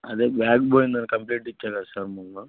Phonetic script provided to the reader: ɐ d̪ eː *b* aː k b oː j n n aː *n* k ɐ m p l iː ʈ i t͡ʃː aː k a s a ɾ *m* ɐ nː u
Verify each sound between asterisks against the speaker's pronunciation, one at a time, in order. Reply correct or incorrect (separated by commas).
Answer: correct, correct, correct